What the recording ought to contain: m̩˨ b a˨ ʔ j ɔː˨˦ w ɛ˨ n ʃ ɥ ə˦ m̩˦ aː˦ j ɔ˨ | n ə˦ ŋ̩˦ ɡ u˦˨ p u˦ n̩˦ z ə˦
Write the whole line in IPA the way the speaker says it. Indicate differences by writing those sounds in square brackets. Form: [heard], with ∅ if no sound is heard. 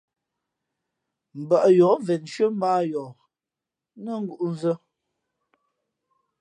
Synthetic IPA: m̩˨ b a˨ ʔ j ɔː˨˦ [v] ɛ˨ n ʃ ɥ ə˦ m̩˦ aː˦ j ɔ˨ | n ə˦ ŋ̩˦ ɡ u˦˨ [ʔ] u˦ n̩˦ z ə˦